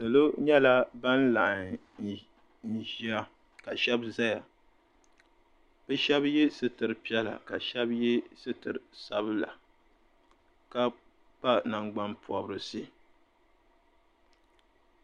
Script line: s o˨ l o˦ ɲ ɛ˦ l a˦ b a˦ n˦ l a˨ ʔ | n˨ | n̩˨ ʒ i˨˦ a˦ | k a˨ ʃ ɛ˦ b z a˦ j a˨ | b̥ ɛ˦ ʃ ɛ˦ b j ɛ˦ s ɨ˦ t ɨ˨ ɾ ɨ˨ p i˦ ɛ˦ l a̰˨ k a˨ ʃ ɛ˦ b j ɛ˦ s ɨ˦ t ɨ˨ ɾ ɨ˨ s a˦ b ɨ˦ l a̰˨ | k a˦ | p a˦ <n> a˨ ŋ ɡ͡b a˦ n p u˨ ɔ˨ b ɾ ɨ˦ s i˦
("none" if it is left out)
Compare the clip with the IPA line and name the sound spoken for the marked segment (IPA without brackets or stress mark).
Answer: n